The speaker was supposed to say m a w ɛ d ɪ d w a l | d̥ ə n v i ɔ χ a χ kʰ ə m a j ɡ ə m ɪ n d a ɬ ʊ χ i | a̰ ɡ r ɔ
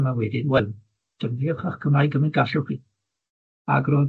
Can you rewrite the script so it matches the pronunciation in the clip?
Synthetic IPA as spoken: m a w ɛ d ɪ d w ɛ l | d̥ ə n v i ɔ χ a χ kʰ ə m a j ɡ ə m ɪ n ɡ a ɬ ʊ χ i | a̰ ɡ r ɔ